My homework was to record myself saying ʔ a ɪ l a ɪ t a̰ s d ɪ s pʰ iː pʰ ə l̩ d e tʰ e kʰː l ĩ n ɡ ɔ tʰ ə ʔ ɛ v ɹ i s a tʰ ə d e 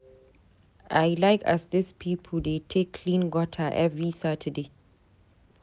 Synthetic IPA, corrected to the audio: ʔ a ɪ l a ɪ k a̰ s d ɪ s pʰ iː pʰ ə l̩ d e tʰ e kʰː l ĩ n ɡ ɔ tʰ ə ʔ ɛ v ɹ i s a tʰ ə d e